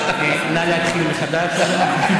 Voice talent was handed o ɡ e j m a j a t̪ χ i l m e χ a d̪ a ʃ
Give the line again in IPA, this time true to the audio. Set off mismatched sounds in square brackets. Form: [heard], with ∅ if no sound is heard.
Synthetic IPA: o [k] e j [n] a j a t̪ χ i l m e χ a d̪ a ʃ